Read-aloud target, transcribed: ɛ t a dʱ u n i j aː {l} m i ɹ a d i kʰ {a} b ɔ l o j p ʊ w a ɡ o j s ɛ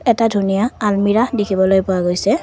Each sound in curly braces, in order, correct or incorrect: correct, incorrect

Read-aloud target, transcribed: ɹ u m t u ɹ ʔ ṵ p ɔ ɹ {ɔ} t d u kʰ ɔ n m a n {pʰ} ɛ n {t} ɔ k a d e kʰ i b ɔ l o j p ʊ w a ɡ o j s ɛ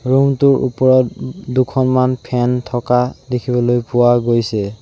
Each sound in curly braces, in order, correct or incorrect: correct, correct, incorrect

